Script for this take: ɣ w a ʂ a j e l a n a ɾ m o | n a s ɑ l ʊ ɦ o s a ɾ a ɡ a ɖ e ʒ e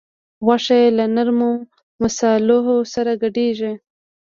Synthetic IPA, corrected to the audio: ɣ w a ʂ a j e l a n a ɾ m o | m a s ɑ l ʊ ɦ o s a ɾ a ɡ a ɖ e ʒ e